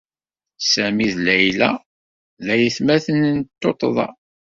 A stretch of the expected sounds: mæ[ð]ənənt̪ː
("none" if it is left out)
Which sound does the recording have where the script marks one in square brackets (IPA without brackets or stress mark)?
θ